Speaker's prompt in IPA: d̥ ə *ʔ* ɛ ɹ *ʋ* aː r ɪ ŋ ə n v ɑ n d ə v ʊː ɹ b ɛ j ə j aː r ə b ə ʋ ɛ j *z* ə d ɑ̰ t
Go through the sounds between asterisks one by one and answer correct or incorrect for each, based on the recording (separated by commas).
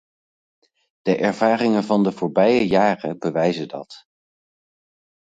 correct, incorrect, correct